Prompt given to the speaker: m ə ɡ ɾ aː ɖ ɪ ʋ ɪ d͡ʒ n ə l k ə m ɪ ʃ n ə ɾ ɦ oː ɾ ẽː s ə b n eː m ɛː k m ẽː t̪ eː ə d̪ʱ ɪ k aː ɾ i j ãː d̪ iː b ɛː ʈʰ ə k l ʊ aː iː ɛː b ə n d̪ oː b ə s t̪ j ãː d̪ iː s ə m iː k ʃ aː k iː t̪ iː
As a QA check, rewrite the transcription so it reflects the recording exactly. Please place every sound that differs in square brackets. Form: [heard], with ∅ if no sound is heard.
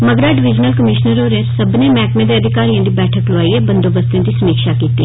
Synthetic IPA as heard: m ə ɡ ɾ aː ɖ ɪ ʋ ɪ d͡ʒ n ə l k ə m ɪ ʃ n ə ɾ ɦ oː ɾ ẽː s ə b n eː m ɛː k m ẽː [d̪] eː ə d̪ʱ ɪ k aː ɾ i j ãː d̪ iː b ɛː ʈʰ ə k l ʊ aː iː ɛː b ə n d̪ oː b ə s t̪ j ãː d̪ iː s ə m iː k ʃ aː k iː t̪ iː